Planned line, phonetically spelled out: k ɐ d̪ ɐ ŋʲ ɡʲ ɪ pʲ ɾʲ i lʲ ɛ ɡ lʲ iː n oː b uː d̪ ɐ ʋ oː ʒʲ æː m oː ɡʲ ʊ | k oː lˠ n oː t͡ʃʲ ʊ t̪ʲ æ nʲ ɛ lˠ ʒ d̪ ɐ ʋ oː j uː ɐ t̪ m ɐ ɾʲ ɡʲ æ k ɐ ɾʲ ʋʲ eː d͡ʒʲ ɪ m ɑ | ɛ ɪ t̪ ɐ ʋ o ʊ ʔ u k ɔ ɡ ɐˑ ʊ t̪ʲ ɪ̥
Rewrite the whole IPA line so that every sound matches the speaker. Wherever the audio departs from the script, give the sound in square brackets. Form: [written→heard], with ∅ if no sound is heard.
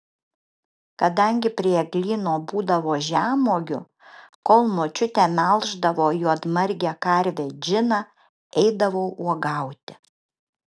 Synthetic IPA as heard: k ɐ d̪ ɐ ŋʲ ɡʲ ɪ pʲ ɾʲ i [lʲ→∅] ɛ ɡ lʲ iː n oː b uː d̪ ɐ ʋ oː ʒʲ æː m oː ɡʲ ʊ | k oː lˠ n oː t͡ʃʲ ʊ t̪ʲ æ [nʲ→mʲ] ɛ lˠ ʒ d̪ ɐ ʋ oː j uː ɐ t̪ m ɐ ɾʲ ɡʲ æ k ɐ ɾʲ ʋʲ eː d͡ʒʲ ɪ [m→n] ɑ | ɛ ɪ [t̪→d̪] ɐ ʋ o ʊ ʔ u [k→∅] ɔ ɡ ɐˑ ʊ t̪ʲ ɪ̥